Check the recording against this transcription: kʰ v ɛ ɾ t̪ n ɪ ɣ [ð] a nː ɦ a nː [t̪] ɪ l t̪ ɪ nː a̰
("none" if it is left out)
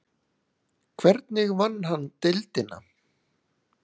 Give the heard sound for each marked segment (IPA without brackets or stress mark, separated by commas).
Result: v, t̪